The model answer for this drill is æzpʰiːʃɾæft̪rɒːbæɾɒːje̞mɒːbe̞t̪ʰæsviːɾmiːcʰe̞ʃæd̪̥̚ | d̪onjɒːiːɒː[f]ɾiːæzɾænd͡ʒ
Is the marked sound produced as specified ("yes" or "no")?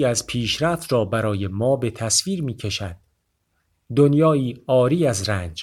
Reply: no